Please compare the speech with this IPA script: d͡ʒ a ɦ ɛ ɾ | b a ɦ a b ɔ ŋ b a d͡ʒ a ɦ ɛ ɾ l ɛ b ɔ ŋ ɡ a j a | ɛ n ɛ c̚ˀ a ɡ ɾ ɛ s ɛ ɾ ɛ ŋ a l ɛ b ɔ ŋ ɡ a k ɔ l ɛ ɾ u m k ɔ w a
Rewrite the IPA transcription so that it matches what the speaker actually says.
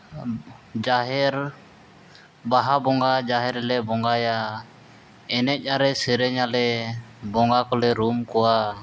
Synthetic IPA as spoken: d͡ʒ a ɦ ɛ ɾ | b a ɦ a b ɔ ŋ ɡ a d͡ʒ a ɦ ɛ ɾ l ɛ b ɔ ŋ ɡ a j a | ɛ n ɛ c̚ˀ a ɾ ɛ s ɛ ɾ ɛ ɲ a l ɛ b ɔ ŋ ɡ a k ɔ l ɛ ɾ u m k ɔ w a